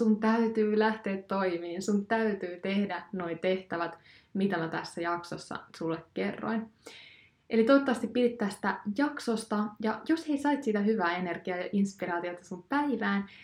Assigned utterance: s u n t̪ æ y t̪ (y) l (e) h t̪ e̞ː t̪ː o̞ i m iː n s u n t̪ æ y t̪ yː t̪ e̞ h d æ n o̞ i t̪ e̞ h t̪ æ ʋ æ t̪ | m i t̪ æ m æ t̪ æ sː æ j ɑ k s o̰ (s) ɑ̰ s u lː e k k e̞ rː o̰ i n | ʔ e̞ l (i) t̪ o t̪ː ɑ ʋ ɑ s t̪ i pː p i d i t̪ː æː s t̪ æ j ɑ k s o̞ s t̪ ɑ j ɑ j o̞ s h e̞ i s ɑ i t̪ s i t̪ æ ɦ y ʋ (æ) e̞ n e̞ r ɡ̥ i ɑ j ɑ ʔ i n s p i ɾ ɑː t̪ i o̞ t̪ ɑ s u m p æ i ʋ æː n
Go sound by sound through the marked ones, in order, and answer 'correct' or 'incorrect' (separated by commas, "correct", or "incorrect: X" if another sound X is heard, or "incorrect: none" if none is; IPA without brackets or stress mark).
incorrect: yː, incorrect: æ, incorrect: sː, correct, incorrect: æː